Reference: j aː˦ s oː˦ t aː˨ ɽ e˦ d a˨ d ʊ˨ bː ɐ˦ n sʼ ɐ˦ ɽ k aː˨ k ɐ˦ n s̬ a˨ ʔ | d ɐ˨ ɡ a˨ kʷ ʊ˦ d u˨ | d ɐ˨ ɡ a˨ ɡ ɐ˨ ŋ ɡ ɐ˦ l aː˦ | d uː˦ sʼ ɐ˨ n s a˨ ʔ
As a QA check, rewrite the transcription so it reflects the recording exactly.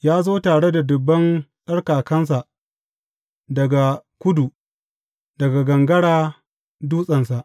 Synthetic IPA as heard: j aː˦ z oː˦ t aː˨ ɽ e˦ d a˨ d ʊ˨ bː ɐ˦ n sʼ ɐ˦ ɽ k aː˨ k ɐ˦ n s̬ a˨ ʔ | d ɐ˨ ɡ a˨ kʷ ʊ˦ d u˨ | d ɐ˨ ɡ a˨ ɡ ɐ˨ ŋ ɡ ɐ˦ ɽ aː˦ | d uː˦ sʼ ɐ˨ n s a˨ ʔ